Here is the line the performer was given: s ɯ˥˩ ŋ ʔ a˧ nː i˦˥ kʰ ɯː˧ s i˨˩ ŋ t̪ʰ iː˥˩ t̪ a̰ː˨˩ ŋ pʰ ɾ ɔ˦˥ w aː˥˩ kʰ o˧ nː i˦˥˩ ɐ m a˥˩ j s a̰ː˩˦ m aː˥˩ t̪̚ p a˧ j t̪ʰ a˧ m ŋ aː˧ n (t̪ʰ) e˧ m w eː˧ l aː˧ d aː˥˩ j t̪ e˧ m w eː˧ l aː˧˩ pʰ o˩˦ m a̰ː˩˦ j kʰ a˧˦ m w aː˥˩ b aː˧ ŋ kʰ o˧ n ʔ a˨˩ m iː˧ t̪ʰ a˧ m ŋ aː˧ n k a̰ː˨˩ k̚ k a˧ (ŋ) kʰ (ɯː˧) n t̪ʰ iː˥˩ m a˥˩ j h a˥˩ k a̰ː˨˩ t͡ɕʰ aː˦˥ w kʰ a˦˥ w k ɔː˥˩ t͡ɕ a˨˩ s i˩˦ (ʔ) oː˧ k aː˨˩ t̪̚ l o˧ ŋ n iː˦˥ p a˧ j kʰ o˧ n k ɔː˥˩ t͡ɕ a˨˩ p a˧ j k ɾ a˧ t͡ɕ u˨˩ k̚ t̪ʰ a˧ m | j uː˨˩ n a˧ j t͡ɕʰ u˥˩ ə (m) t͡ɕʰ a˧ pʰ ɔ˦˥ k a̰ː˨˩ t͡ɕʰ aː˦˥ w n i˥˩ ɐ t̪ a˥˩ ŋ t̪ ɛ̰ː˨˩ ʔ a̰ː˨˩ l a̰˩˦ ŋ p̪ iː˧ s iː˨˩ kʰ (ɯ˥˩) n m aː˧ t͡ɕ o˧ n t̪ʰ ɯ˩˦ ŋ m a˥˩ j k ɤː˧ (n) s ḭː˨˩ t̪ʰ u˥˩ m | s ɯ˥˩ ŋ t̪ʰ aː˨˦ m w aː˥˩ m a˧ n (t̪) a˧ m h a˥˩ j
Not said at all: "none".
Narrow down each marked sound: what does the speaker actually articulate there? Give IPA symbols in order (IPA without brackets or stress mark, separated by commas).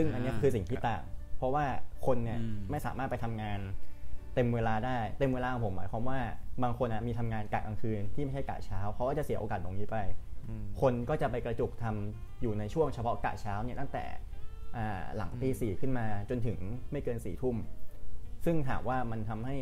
t̪, ŋ, ɯː˧, ʔ, ŋ, ɯ˥˩, n, t̪ʰ